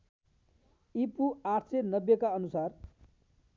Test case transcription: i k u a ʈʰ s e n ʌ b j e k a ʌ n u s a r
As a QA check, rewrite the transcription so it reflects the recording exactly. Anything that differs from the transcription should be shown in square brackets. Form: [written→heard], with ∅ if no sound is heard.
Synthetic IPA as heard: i [k→p] u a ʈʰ s e n ʌ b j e k a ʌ n u s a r